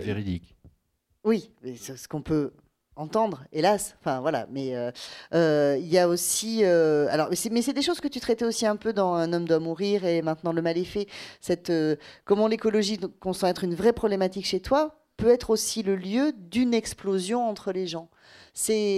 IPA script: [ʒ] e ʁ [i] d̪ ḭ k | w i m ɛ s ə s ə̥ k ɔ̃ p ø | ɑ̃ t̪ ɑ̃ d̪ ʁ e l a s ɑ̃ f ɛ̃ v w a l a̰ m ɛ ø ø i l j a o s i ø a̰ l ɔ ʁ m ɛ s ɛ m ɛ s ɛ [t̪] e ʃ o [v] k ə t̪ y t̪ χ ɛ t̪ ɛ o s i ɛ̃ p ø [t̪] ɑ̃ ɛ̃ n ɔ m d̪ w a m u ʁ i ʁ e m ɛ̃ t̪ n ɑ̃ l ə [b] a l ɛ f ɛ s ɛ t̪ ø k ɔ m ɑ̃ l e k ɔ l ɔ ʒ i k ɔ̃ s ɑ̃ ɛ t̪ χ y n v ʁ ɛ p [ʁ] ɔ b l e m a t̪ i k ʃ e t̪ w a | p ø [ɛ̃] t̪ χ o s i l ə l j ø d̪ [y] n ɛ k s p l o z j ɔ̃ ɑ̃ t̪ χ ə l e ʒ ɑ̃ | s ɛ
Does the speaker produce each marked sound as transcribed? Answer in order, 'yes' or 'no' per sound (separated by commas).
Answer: no, yes, no, no, no, no, no, no, yes